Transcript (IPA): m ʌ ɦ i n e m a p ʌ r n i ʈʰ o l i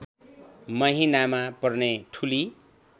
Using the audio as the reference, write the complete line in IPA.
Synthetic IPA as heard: m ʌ ɦ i n a m a p ʌ r n e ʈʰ u l i